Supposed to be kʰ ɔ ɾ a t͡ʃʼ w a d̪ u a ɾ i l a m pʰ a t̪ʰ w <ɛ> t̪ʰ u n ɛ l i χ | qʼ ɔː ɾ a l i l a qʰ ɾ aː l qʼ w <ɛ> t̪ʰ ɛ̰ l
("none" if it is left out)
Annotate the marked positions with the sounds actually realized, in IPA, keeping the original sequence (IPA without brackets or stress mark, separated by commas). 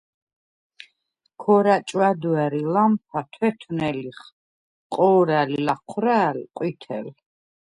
ɛ, i